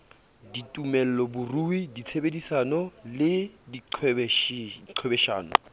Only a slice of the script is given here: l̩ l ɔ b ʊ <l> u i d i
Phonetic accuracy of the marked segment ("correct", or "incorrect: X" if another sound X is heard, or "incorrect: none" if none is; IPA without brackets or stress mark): incorrect: r